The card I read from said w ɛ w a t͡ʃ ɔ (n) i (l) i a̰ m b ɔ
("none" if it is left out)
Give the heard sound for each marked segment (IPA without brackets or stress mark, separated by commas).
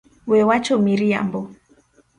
m, ɾ